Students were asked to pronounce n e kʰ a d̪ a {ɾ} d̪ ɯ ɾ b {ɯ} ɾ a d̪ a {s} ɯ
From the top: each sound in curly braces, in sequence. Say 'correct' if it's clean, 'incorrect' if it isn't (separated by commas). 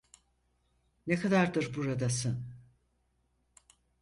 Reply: correct, incorrect, correct